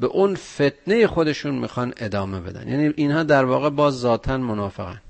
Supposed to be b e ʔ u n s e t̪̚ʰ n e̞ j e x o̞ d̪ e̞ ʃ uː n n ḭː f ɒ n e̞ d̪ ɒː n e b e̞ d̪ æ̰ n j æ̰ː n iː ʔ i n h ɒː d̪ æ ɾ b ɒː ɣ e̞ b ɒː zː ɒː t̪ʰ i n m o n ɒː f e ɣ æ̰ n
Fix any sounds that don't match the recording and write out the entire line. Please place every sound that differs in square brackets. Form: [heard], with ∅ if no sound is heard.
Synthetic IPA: b e ʔ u n [f] e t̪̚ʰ n e̞ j e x o̞ d̪ e̞ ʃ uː n [m] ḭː [x] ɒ n e̞ d̪ ɒː [m] e b e̞ d̪ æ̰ n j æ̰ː n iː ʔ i n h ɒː d̪ æ ɾ [v] ɒː ɣ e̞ b ɒː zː ɒː t̪ʰ [æ] n m o n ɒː f e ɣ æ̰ n